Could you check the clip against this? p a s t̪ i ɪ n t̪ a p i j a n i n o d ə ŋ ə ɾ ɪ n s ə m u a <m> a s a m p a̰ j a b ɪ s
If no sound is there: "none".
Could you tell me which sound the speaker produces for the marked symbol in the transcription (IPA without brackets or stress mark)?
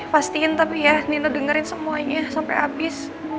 ɲ